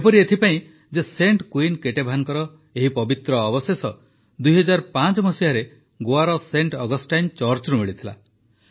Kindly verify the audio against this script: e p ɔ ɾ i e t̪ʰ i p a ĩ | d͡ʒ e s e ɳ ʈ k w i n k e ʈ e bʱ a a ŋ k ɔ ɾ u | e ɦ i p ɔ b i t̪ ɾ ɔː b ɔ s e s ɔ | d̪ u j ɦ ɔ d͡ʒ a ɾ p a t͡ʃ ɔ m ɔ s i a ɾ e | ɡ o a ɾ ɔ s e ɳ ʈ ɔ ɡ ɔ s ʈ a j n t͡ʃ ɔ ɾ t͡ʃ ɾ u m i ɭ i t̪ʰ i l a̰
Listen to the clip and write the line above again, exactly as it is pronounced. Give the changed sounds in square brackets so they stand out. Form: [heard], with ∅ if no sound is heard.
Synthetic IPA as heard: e p ɔ ɾ i e t̪ʰ i p a ĩ | d͡ʒ e s e ɳ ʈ k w i n k e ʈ e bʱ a a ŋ k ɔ ɾ [ɔ] | e ɦ i p ɔ b i t̪ ɾ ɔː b ɔ s e s ɔ | d̪ u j ɦ ɔ d͡ʒ a ɾ p a t͡ʃ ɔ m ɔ s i a ɾ e | ɡ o a ɾ ɔ s e ɳ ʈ ɔ ɡ ɔ s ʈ a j n t͡ʃ ɔ ɾ t͡ʃ ɾ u m i ɭ i t̪ʰ i l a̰